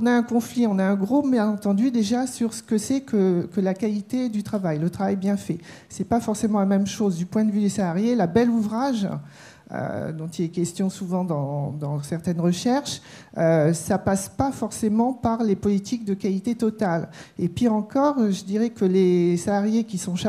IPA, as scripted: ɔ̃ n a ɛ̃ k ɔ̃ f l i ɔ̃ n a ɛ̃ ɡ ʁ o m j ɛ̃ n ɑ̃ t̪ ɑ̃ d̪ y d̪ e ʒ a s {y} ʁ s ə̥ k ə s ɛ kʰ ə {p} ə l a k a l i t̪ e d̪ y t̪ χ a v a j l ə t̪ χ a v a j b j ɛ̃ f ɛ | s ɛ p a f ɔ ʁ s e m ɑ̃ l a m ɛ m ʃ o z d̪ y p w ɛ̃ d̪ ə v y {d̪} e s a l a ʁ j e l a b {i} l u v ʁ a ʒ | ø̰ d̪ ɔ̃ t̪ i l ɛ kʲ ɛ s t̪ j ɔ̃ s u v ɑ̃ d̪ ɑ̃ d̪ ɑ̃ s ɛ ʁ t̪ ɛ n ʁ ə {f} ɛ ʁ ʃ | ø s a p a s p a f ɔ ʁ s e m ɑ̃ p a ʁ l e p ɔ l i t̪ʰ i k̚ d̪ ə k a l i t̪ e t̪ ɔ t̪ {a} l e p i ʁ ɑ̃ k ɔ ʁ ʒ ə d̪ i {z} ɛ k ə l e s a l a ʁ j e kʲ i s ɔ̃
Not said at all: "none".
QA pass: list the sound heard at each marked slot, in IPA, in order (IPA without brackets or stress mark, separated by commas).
y, k, d̪, ɛ, ʃ, a, ʁ